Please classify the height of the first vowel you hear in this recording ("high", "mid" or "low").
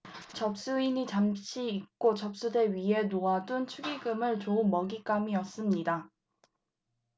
mid